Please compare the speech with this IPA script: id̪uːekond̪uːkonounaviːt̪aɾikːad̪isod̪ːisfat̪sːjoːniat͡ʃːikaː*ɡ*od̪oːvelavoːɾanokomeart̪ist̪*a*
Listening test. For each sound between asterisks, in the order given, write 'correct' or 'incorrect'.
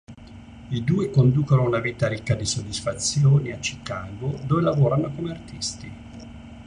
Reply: correct, incorrect: i

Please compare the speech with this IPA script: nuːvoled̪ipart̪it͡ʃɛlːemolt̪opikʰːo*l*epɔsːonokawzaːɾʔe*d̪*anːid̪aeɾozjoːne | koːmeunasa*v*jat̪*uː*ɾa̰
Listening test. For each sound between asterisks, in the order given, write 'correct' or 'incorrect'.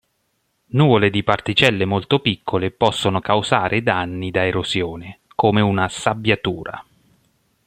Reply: correct, correct, incorrect: b, correct

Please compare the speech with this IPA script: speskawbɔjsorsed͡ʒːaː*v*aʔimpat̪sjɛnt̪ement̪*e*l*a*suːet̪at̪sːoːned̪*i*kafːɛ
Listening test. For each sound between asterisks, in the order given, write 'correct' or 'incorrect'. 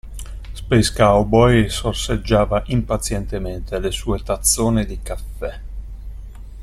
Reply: correct, correct, incorrect: e, correct

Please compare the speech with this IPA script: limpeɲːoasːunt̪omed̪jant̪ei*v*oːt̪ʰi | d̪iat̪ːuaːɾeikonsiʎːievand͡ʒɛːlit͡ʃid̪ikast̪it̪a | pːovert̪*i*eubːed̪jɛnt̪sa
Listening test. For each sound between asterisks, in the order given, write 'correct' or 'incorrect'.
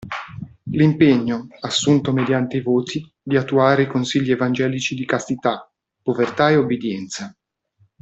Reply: correct, incorrect: a

